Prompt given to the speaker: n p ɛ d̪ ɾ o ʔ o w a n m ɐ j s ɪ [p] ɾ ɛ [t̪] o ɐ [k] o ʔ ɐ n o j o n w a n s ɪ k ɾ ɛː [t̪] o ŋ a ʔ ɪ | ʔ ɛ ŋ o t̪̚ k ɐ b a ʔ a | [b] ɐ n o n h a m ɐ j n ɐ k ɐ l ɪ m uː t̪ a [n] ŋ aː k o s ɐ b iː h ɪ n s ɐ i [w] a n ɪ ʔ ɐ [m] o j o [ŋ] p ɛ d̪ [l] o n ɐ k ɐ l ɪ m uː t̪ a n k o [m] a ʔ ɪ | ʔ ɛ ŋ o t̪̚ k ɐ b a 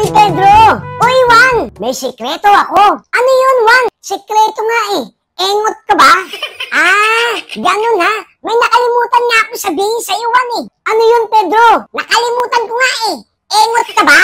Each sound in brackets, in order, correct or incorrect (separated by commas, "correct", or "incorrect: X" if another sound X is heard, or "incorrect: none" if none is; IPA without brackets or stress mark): incorrect: k, correct, correct, correct, incorrect: ɡ, correct, correct, incorrect: n, incorrect: n, incorrect: ɾ, incorrect: ŋ